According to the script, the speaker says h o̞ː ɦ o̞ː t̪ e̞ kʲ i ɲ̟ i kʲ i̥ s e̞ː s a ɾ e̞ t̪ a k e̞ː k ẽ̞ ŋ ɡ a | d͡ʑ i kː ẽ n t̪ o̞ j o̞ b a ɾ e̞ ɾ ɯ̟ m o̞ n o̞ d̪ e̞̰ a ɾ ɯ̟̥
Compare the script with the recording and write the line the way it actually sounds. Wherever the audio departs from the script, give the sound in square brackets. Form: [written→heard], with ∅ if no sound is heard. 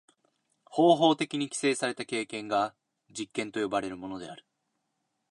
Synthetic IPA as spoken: h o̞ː ɦ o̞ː t̪ e̞ kʲ i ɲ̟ i kʲ i̥ s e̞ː s a ɾ e̞ t̪ a k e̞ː k ẽ̞ ŋ ɡ a | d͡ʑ i kː ẽ n t̪ o̞ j o̞ b a ɾ e̞ ɾ ɯ̟ m o̞ n o̞ d̪ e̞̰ a ɾ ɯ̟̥

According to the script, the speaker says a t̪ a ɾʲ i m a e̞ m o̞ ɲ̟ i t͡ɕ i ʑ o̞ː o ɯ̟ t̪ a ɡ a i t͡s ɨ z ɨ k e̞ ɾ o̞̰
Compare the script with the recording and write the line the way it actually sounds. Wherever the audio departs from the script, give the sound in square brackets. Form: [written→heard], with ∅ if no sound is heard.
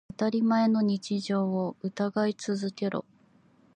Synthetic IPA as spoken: a t̪ a ɾʲ i m a e̞ [m→n] o̞ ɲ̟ i t͡ɕ i ʑ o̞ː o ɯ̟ t̪ a ɡ a i t͡s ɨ z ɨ k e̞ ɾ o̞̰

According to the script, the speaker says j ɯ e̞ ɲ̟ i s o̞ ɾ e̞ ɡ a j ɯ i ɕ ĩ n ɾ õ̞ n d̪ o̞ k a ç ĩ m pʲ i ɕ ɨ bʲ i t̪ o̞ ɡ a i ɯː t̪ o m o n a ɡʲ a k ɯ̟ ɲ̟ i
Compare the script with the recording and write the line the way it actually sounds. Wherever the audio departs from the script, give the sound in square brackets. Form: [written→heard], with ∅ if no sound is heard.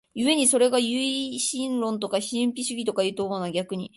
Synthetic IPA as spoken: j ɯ e̞ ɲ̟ i s o̞ ɾ e̞ ɡ a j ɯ i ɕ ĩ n ɾ õ̞ n [d̪→t̪] o̞ k a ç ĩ m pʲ i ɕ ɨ [bʲ→ɡʲ] i t̪ o̞ [ɡ→k] a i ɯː t̪ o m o n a ɡʲ a k ɯ̟ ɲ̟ i

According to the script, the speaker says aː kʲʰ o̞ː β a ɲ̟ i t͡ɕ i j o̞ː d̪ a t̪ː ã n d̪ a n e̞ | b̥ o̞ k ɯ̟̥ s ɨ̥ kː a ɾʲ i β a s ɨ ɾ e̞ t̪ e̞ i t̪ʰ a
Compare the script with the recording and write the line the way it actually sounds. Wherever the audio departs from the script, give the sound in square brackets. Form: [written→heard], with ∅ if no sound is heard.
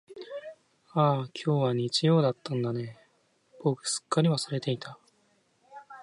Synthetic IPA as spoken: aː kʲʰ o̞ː β a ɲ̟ i t͡ɕ i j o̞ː d̪ a t̪ː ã n d̪ a n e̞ | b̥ o̞ k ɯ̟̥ s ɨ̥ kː a ɾʲ i β a s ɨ ɾ e̞ t̪ e̞ i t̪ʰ a

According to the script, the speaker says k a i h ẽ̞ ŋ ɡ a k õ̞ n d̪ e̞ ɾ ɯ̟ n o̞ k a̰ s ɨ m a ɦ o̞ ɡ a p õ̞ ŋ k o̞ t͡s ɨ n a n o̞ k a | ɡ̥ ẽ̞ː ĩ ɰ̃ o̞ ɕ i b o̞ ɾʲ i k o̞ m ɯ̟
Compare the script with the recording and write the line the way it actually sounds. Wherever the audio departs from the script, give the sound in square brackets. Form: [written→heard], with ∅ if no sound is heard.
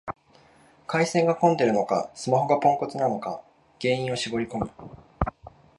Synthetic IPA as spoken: k a i [h→s] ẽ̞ ŋ ɡ a k õ̞ n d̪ e̞ ɾ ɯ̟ n o̞ k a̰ s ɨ m a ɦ o̞ ɡ a p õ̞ ŋ k o̞ t͡s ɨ n a n o̞ k a | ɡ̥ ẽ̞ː ĩ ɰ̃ o̞ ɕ i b o̞ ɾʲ i k o̞ m ɯ̟

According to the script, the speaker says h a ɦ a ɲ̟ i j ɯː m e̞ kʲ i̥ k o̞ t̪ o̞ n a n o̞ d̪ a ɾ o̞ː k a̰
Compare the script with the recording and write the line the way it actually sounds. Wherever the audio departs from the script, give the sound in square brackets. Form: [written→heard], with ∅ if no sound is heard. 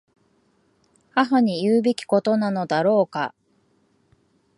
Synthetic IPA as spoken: h a ɦ a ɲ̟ i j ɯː [m→b] e̞ kʲ i̥ k o̞ t̪ o̞ n a n o̞ d̪ a ɾ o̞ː k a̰

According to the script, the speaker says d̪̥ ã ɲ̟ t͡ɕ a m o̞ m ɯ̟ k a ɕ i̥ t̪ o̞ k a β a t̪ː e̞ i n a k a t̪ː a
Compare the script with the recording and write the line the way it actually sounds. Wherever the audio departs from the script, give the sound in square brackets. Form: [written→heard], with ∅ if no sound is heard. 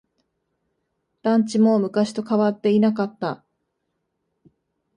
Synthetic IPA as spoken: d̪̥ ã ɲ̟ t͡ɕ [a→i] m o̞ m ɯ̟ k a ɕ i̥ t̪ o̞ k a β a t̪ː e̞ i n a k a t̪ː a

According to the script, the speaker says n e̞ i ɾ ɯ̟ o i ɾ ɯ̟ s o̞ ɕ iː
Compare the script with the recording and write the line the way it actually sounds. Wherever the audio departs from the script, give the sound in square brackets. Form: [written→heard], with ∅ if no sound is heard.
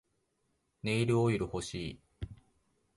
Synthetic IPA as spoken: n e̞ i ɾ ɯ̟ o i ɾ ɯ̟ [s→h] o̞ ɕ iː

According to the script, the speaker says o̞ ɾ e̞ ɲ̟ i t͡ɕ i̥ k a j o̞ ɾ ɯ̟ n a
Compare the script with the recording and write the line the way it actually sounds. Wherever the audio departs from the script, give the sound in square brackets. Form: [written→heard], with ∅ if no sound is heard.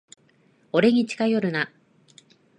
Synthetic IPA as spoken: o̞ ɾ e̞ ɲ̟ i t͡ɕ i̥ k a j o̞ ɾ ɯ̟ n a

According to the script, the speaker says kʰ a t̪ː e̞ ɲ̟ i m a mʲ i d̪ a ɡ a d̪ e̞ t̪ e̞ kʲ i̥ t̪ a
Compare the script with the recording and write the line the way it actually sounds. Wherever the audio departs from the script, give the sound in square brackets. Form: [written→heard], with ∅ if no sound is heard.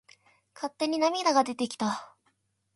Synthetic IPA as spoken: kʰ a t̪ː e̞ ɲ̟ i [m→n] a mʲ i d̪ a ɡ a d̪ e̞ t̪ e̞ kʲ i̥ t̪ a

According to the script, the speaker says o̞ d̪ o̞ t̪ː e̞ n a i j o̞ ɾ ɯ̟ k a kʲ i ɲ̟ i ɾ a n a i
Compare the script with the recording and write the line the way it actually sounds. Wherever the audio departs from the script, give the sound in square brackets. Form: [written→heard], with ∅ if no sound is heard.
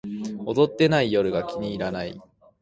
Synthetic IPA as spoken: o̞ d̪ o̞ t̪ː e̞ n a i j o̞ ɾ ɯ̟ [k→ɡ] a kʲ i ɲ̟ [i→iː] ɾ a n a i

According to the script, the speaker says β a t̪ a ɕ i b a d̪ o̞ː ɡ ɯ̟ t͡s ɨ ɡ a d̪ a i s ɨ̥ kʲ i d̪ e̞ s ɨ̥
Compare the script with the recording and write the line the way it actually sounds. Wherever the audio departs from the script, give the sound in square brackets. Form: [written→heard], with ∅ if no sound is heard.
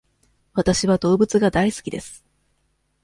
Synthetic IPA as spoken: β a t̪ a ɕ i [b→β] a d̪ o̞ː [ɡ→b] ɯ̟ t͡s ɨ ɡ a d̪ a i s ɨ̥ kʲ i d̪ e̞ s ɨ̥

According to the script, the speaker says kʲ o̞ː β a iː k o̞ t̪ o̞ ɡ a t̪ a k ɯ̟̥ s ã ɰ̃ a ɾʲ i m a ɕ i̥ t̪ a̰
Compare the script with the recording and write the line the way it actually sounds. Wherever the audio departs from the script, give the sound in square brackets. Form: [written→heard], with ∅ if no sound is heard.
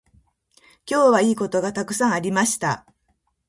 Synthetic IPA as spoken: kʲ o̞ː β a iː k o̞ t̪ o̞ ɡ a t̪ a k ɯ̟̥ s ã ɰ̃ a ɾʲ i m a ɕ i̥ t̪ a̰

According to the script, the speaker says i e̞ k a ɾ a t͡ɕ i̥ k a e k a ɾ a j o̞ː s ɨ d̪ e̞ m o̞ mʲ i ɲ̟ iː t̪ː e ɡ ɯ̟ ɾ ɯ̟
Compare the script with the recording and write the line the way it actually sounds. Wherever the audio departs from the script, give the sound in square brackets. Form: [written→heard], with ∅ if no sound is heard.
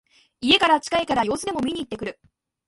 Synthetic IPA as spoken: i e̞ k a ɾ a t͡ɕ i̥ k a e k a ɾ a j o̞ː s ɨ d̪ e̞ m o̞ mʲ i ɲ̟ iː t̪ː e [ɡ→k] ɯ̟ ɾ ɯ̟

